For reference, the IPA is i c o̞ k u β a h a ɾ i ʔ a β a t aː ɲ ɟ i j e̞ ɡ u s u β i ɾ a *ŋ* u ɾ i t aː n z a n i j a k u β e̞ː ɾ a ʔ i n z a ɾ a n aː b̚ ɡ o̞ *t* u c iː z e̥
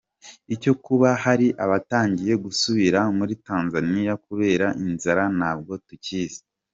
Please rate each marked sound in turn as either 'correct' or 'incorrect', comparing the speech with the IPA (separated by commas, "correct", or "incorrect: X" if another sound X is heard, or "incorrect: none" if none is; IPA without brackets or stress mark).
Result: incorrect: m, correct